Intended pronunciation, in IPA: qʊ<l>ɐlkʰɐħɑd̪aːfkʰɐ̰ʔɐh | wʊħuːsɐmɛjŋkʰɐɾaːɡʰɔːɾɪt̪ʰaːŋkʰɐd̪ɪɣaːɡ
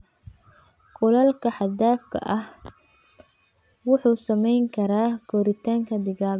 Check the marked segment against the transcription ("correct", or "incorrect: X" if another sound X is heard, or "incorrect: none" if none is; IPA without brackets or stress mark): correct